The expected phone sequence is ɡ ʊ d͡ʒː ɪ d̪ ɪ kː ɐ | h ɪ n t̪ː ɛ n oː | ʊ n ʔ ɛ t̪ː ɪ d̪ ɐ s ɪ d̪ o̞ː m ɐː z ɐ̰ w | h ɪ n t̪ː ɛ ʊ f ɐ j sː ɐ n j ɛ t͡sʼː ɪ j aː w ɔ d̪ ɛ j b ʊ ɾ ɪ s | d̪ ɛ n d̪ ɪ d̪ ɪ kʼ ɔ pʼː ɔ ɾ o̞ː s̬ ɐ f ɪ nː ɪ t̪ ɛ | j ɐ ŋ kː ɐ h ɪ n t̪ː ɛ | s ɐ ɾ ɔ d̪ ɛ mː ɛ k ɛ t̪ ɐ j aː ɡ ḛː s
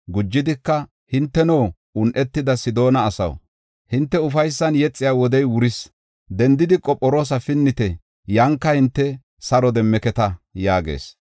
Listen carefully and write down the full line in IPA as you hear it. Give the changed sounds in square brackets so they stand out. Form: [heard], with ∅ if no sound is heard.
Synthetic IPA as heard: ɡ ʊ d͡ʒː ɪ d̪ ɪ kː ɐ | h ɪ n t̪ː ɛ n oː | ʊ n ʔ ɛ t̪ː ɪ d̪ ɐ s ɪ d̪ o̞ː [n] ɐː [s] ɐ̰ w | h ɪ n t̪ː ɛ ʊ f ɐ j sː ɐ n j ɛ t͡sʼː ɪ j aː w ɔ d̪ ɛ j [w] ʊ ɾ ɪ s | d̪ ɛ n d̪ ɪ d̪ ɪ kʼ ɔ pʼː ɔ ɾ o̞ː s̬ ɐ f ɪ nː ɪ t̪ ɛ | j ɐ ŋ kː ɐ h ɪ n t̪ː ɛ | s ɐ ɾ ɔ d̪ ɛ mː ɛ k ɛ t̪ ɐ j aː ɡ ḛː s